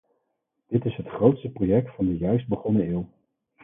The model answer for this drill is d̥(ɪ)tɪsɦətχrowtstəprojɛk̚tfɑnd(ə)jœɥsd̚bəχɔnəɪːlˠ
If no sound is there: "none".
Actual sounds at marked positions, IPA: ɪ, ə

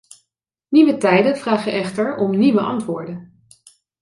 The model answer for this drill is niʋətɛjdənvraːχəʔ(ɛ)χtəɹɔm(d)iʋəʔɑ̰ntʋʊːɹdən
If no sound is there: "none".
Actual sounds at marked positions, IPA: ɛ, n

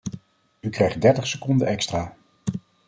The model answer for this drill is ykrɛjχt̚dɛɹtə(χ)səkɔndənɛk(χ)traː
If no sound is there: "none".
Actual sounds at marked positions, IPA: χ, s

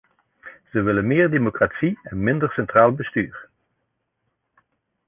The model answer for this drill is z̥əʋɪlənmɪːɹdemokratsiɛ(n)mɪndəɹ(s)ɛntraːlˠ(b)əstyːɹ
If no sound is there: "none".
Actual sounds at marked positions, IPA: n, s, b

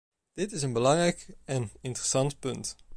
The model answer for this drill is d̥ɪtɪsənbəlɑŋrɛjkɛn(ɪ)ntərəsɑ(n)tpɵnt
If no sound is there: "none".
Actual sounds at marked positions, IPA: ɪ, n

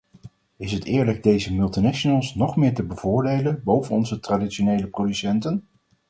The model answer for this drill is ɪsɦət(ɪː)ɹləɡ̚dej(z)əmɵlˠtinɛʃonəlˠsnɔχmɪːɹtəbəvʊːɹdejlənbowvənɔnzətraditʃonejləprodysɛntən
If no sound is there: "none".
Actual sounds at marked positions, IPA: ɪː, z

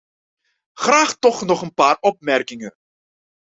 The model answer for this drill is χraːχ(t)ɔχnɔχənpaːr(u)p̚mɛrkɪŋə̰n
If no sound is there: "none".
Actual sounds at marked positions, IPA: t, ɔ

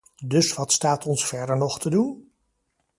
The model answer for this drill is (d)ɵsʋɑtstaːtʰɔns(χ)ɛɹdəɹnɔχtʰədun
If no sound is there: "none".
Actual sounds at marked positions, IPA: d, f

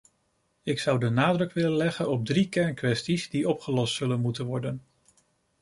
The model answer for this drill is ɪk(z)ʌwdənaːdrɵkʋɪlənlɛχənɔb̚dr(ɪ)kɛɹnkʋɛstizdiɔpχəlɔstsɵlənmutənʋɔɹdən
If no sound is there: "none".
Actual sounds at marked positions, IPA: s, i

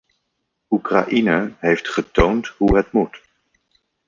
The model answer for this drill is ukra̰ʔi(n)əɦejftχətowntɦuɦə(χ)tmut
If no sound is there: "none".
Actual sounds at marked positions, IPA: n, none

